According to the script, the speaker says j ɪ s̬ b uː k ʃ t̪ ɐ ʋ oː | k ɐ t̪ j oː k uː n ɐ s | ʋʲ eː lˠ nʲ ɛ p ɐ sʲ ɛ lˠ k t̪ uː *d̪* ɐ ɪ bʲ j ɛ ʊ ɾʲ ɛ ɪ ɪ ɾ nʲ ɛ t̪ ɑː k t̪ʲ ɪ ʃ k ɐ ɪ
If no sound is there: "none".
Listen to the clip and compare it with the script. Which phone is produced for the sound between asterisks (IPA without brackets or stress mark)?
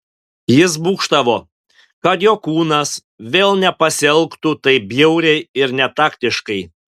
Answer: t̪